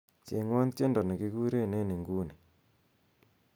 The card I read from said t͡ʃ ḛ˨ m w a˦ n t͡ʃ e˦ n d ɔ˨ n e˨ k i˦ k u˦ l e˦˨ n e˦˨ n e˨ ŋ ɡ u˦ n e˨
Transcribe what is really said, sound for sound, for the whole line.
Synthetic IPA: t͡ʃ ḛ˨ ŋ w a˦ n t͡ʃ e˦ n d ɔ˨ n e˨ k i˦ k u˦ ɾ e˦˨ n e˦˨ n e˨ ŋ ɡ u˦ n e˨